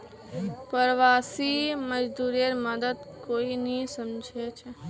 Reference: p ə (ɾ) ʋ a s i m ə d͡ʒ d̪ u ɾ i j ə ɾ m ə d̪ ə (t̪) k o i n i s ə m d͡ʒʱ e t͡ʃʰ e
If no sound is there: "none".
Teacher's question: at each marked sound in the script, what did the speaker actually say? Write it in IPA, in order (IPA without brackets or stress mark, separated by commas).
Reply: ɾ, d̪